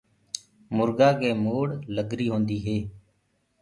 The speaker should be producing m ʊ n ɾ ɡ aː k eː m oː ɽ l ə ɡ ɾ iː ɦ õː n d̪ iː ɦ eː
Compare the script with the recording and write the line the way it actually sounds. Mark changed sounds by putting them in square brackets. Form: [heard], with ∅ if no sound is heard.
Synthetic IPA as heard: m ʊ [∅] ɾ ɡ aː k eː m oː ɽ l ə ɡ ɾ iː ɦ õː n d̪ iː ɦ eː